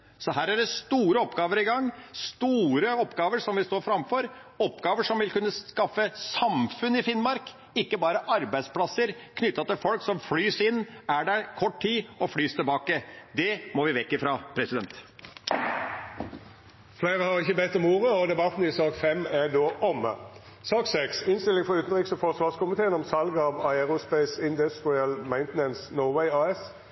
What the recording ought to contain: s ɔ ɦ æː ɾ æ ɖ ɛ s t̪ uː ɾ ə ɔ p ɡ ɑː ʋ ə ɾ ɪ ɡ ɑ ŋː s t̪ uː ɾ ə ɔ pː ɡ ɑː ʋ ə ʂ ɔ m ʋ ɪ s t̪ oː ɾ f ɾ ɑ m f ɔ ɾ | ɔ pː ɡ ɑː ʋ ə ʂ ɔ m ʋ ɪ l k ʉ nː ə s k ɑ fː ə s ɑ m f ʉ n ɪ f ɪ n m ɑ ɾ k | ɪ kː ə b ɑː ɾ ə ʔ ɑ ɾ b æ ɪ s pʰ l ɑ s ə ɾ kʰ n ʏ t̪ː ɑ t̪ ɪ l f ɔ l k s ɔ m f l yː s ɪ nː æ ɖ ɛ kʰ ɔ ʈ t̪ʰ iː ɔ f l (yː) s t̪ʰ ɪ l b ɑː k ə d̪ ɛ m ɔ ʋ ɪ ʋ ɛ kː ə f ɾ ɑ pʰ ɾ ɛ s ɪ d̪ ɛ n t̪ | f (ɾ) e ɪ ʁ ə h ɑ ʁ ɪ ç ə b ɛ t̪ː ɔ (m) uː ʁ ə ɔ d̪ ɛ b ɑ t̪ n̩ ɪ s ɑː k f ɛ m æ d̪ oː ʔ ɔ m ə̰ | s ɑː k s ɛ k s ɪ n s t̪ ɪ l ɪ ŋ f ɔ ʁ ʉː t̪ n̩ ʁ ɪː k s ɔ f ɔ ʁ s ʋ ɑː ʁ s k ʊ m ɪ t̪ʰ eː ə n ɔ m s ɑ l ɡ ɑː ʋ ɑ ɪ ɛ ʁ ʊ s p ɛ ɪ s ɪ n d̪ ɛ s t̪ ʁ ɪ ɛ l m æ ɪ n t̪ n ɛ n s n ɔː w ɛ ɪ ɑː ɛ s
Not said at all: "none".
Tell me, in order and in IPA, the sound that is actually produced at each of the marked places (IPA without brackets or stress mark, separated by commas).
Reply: yː, l, m